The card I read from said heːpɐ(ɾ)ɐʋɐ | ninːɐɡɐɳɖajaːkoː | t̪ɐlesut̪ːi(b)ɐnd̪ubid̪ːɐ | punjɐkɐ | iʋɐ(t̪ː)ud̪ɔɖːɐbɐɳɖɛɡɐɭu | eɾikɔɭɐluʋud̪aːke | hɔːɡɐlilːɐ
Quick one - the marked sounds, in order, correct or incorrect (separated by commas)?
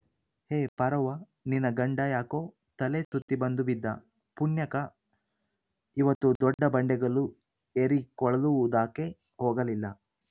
correct, correct, correct